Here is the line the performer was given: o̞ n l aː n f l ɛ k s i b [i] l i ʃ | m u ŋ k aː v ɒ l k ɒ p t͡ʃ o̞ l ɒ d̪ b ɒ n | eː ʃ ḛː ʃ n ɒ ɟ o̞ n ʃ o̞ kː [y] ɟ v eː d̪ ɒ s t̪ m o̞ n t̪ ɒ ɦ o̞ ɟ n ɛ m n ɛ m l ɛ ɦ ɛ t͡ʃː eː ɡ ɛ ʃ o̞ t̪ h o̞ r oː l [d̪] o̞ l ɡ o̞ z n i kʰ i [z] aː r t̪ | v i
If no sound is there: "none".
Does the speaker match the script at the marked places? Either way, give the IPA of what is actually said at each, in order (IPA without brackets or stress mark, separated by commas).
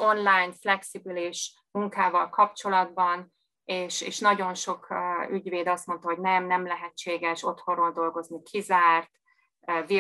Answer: i, y, d̪, z